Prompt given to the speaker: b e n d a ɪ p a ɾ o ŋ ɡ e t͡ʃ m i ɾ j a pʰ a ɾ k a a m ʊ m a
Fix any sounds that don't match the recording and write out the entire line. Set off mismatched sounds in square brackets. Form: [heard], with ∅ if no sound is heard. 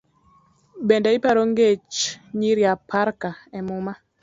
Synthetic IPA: b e n d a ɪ p a ɾ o ŋ ɡ e t͡ʃ [ɲ] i ɾ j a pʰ a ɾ k a [ɛ] m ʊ m a